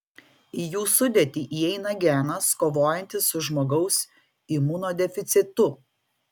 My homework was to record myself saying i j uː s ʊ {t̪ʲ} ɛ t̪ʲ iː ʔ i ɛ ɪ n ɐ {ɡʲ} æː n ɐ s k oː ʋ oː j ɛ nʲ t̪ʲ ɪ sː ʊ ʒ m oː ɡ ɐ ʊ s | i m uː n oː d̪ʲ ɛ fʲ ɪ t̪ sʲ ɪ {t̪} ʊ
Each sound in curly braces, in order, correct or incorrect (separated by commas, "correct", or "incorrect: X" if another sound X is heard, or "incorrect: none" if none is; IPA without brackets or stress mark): incorrect: d̪ʲ, correct, correct